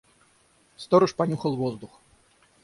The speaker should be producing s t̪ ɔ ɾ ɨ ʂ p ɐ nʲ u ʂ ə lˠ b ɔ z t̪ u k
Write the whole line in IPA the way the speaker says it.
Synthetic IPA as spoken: s t̪ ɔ ɾ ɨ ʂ p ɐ nʲ u x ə lˠ v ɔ z d̪ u x